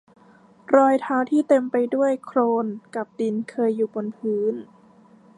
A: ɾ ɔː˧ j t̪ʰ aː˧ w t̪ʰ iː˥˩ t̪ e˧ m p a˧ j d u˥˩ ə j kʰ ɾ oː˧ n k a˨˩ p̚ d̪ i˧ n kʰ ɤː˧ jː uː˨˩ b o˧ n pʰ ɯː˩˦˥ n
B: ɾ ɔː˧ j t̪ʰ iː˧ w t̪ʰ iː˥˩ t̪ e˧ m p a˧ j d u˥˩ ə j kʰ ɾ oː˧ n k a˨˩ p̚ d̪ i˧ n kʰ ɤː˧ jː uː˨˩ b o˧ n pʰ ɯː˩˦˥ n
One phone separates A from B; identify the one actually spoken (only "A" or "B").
A